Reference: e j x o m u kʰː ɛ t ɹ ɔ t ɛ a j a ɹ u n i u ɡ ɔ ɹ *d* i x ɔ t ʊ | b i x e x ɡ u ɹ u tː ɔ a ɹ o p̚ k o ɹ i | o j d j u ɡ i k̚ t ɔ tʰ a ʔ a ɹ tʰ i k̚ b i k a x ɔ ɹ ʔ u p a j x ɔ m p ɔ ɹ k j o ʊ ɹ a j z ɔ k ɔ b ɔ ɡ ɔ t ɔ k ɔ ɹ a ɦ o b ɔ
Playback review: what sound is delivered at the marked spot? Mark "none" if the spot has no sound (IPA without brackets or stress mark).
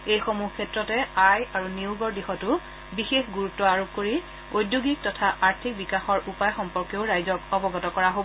d